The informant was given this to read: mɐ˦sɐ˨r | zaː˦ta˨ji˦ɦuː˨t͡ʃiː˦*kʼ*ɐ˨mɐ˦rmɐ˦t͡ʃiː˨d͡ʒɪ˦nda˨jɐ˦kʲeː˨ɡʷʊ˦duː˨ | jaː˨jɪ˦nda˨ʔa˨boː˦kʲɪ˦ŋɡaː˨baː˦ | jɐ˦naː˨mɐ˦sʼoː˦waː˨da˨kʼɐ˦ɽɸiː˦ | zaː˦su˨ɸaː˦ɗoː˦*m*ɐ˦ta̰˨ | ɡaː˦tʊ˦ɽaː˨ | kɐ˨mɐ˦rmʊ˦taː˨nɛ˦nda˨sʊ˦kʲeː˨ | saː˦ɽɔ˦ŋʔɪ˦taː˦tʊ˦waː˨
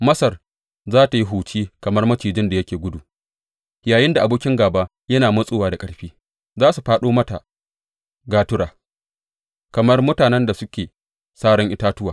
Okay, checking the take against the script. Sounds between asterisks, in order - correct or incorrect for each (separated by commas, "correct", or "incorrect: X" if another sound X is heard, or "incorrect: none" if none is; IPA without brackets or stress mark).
incorrect: k, correct